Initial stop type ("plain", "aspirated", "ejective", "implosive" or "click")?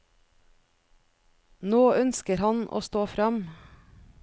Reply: plain